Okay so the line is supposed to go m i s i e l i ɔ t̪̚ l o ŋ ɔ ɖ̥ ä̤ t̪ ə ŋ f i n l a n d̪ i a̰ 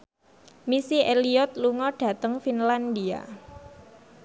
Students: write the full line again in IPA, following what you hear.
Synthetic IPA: m i s i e l i ɔ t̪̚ l u ŋ ɔ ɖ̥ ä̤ t̪ ə ŋ f i n l a n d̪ i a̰